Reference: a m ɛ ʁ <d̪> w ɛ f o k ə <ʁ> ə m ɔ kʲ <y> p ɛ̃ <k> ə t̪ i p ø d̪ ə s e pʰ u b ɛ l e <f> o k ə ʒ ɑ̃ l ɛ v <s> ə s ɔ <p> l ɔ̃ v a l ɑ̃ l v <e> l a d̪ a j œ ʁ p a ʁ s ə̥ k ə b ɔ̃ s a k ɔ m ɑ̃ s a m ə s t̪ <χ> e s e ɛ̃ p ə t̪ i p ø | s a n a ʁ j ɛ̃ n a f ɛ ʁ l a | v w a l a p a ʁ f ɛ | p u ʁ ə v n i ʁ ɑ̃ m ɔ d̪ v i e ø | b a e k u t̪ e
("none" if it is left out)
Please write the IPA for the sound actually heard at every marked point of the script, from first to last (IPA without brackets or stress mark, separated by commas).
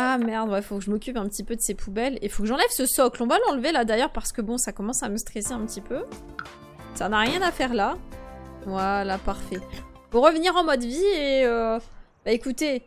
d̪, ʒ, y, p, f, s, k, e, χ